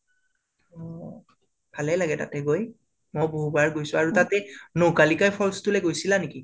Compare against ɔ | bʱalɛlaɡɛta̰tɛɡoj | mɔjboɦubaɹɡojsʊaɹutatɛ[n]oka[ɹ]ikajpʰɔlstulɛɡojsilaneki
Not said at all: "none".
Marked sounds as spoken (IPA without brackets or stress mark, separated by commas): n, l